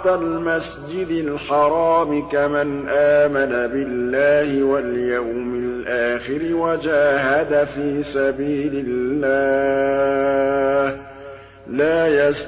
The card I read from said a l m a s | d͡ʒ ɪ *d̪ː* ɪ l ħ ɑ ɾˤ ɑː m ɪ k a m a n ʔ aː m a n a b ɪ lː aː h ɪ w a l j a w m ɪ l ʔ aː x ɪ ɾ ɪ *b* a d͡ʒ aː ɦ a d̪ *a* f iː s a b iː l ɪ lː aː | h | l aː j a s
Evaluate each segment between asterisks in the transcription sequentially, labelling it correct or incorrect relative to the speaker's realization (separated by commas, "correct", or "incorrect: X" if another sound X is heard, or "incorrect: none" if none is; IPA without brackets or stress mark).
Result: incorrect: d̪, incorrect: w, correct